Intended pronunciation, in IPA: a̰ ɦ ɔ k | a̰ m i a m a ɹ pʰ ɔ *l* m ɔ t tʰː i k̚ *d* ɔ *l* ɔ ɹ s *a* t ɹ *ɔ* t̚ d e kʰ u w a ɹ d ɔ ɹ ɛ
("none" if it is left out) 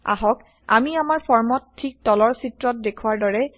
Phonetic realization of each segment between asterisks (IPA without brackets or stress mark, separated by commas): ɹ, t, l, i, ɔ